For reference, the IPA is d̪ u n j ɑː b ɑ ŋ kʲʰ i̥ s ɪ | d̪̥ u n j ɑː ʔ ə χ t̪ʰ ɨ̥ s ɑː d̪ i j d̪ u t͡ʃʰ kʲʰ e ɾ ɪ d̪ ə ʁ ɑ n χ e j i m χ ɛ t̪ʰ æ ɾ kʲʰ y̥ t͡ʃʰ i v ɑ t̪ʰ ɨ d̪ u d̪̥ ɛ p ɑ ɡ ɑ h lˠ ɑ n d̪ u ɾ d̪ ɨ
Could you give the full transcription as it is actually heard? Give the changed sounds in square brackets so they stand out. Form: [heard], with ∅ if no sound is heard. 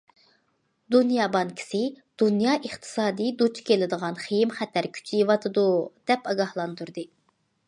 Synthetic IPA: d̪ u n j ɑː b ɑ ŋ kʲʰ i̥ s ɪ | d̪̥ u n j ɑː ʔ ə χ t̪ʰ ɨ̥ s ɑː d̪ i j d̪ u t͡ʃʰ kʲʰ e [l] ɪ d̪ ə ʁ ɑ n χ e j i m χ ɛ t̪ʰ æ ɾ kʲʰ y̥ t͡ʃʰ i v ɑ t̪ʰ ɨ d̪ u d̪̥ ɛ p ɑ ɡ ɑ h lˠ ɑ n d̪ u ɾ d̪ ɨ